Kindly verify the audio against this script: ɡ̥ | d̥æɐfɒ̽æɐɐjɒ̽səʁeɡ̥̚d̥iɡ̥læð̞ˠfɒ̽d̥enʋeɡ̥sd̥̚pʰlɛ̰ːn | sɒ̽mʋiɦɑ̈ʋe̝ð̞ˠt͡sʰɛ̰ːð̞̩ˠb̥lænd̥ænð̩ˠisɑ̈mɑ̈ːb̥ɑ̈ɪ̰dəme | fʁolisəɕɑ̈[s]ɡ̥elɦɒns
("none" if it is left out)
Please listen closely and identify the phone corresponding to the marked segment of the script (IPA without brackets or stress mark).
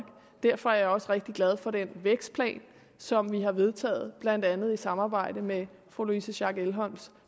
none